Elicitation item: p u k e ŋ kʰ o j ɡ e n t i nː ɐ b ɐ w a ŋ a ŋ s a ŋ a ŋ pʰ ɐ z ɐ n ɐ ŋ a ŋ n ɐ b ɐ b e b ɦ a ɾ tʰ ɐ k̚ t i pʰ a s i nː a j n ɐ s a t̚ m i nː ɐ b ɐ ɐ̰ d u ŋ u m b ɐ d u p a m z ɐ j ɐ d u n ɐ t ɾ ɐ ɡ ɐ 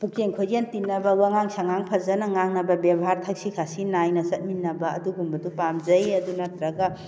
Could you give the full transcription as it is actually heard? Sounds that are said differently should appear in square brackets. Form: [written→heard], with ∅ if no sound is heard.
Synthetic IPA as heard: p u k e ŋ kʰ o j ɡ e n t i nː ɐ b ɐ w a ŋ a ŋ s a ŋ a ŋ pʰ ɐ z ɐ n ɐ ŋ a ŋ n ɐ b ɐ b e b ɦ a ɾ tʰ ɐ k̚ [t→s] i [pʰ→kʰ] a s i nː a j n ɐ s [a→ɐ] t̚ m i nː ɐ b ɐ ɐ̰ d u [ŋ→ɡ] u m b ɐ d u p a m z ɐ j ɐ d u n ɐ t ɾ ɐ ɡ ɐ